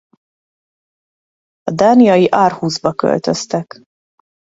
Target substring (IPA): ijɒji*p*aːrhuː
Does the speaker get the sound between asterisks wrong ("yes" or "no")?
yes